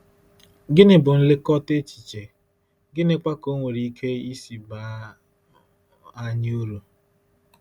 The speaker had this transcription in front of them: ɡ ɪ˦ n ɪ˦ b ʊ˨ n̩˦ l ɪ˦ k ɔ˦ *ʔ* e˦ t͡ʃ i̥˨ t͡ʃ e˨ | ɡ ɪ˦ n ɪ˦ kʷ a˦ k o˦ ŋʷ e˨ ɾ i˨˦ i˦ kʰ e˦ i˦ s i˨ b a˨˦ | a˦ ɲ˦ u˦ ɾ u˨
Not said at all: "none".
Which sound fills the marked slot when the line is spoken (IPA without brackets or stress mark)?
t